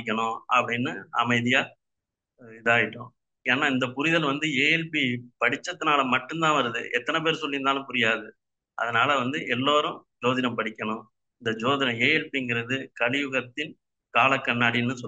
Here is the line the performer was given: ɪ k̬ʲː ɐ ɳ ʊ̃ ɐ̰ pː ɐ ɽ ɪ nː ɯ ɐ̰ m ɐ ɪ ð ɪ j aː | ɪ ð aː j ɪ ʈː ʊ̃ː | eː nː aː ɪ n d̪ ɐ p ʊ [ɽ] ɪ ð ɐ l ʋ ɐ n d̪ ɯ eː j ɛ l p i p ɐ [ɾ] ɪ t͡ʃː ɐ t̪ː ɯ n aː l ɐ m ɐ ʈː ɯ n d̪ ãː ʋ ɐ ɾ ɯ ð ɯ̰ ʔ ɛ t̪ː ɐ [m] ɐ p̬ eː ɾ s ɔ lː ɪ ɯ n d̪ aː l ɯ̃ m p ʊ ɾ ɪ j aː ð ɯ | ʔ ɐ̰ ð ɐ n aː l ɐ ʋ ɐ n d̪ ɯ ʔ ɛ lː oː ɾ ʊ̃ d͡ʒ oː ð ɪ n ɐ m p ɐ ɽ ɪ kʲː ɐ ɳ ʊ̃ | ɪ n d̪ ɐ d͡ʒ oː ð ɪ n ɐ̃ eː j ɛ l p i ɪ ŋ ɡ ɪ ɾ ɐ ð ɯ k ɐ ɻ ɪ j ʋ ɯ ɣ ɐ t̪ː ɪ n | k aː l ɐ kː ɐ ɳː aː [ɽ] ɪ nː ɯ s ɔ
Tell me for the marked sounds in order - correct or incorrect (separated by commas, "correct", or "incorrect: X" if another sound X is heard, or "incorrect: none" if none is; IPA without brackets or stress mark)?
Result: incorrect: ɾ, incorrect: ɽ, incorrect: n, correct